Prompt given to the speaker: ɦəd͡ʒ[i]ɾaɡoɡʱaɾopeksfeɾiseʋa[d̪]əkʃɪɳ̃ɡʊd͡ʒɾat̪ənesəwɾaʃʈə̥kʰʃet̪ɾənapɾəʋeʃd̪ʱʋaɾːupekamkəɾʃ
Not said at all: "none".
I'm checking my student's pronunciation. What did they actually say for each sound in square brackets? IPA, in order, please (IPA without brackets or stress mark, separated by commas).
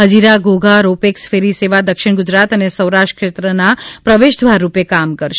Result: i, d̪